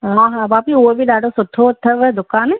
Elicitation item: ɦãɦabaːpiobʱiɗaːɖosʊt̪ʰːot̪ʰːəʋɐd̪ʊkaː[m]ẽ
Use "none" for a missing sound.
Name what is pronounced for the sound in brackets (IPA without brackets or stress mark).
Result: n